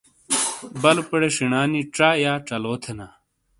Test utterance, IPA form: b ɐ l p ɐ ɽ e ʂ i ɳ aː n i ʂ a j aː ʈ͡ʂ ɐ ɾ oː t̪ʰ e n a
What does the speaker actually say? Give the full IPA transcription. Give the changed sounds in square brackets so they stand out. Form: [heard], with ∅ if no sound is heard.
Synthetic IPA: b ɐ l p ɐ ɽ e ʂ i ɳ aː n i [ʈ͡ʂ] a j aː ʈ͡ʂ ɐ [l] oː t̪ʰ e n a